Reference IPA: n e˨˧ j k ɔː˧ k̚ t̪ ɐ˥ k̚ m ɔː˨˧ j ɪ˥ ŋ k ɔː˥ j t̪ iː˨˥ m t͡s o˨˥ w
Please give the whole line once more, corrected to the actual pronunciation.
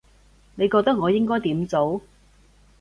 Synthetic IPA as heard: n e˨˧ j k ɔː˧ k̚ t̪ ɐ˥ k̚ ŋ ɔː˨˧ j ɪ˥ ŋ k ɔː˥ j t̪ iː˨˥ m t͡s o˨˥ w